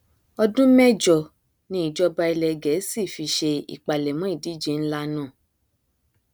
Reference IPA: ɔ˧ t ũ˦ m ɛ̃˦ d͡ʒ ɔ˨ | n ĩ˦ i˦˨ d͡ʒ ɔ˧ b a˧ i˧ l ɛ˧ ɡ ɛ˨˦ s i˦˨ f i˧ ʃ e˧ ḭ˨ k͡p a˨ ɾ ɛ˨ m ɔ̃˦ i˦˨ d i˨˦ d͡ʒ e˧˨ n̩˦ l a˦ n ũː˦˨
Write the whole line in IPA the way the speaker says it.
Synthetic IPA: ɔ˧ d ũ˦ m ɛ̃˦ d͡ʒ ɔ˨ | n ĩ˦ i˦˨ d͡ʒ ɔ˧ b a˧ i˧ l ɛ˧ ɡ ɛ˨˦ s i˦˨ f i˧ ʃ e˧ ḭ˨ k͡p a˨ l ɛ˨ m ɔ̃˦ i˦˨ d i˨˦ d͡ʒ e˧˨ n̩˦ l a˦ n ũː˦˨